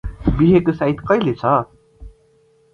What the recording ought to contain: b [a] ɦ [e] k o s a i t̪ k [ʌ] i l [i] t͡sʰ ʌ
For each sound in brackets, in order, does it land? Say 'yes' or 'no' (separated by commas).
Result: no, yes, yes, no